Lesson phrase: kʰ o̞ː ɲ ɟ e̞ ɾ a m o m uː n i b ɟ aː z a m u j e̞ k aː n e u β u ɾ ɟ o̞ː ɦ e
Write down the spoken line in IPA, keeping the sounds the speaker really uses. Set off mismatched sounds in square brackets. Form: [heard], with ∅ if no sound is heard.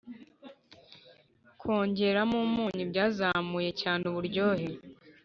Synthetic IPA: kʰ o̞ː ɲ ɟ e̞ ɾ a m [u] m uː [ɲ] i b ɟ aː z a m u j e̞ [c] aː n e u β u ɾ ɟ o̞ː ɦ e